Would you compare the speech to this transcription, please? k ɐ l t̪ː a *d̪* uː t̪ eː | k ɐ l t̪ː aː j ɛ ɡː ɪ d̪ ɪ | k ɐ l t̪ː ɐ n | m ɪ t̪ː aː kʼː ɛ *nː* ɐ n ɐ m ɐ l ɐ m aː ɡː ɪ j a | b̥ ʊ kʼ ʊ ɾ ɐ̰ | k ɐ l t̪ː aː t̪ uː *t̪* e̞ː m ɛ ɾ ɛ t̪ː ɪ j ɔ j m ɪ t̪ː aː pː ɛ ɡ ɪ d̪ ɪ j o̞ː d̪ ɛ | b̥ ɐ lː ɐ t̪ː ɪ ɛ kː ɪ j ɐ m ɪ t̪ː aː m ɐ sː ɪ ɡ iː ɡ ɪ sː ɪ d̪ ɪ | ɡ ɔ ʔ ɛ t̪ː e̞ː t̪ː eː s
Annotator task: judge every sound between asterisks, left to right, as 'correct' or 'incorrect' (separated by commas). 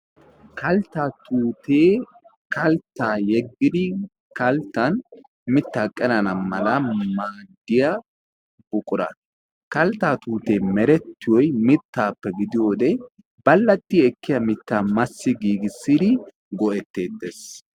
incorrect, incorrect, correct